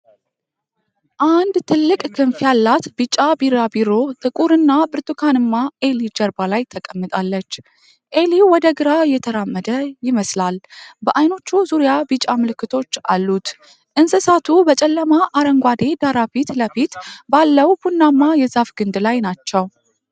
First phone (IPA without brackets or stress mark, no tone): ʔ